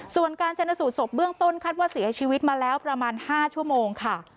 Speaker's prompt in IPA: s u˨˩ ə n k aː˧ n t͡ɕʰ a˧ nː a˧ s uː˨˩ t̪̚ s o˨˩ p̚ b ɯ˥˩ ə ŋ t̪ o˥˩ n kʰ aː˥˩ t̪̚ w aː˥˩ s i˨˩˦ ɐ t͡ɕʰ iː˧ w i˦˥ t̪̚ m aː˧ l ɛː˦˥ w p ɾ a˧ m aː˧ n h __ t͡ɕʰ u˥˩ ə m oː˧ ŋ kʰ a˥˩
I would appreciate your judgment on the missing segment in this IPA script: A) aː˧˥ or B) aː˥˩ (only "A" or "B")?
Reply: B